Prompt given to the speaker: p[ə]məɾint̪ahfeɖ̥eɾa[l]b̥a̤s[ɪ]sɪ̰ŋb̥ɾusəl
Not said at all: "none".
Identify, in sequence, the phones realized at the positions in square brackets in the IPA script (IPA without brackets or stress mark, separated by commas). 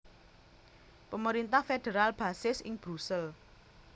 ə, l, ɪ